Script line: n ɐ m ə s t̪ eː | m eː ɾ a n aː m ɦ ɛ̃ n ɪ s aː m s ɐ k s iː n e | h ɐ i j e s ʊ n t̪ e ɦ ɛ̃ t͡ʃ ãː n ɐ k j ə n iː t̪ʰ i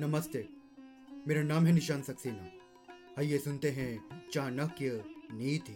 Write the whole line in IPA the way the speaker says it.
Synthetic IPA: n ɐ m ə s t̪ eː | m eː ɾ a n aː m ɦ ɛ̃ n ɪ ʃ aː n s ɐ k s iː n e | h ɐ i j e s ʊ n t̪ e ɦ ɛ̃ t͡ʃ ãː n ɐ k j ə n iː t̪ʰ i